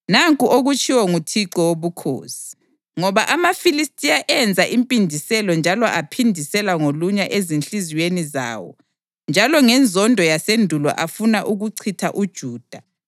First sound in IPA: n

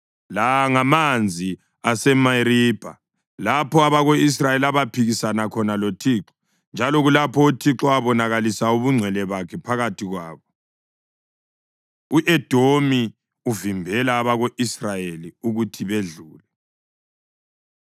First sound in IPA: l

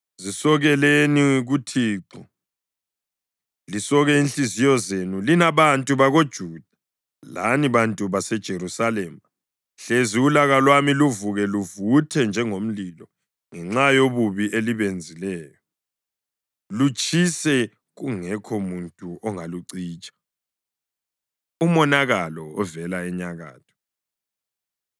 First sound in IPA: z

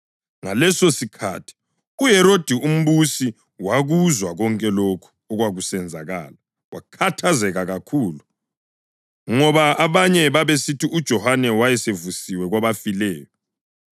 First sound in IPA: ŋ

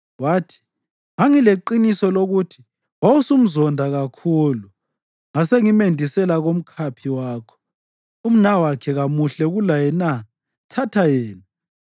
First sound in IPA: w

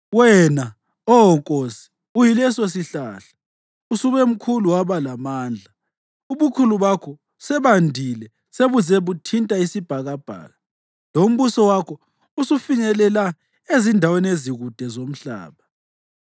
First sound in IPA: w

